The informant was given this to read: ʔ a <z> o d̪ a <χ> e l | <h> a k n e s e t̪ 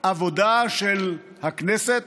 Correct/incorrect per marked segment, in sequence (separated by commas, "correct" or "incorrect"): incorrect, incorrect, correct